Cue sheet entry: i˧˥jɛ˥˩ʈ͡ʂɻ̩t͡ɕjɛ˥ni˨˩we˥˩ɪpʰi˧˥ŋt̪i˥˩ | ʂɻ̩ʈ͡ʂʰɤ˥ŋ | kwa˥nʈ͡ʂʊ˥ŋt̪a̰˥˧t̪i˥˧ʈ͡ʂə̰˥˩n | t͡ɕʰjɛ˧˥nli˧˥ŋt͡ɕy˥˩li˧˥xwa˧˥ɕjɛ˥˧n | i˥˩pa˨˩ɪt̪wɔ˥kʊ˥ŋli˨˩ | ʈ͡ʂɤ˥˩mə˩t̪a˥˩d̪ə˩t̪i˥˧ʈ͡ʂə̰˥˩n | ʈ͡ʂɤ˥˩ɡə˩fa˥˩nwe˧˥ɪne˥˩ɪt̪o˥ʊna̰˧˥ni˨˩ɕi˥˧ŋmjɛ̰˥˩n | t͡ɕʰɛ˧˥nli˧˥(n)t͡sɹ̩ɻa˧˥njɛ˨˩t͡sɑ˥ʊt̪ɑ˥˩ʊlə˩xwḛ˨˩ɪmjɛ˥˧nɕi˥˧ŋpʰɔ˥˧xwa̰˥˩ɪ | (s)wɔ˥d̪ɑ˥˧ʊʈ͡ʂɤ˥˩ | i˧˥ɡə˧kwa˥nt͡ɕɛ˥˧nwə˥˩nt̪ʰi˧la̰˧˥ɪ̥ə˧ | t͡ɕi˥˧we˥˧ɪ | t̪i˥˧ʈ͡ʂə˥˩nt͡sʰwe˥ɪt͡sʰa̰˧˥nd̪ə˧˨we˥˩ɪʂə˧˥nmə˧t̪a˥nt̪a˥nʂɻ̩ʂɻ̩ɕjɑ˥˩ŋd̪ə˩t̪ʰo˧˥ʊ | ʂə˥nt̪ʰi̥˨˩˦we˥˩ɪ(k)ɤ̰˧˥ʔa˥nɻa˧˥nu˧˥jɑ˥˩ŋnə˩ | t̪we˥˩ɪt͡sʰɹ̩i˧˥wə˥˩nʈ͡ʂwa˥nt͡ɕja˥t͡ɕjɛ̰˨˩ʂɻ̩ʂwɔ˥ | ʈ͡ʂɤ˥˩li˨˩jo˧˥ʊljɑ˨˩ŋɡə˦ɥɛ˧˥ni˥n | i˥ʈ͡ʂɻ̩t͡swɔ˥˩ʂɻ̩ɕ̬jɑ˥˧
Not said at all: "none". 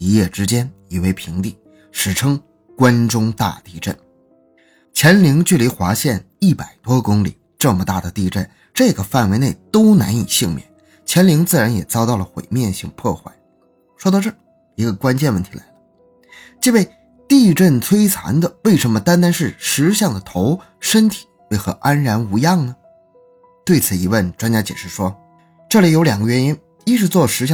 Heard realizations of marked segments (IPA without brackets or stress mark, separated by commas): ŋ, ʂ, x